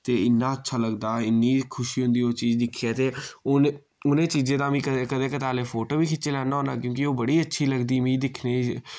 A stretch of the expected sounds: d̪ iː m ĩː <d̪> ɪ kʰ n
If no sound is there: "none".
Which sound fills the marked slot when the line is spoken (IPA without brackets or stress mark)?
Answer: d̪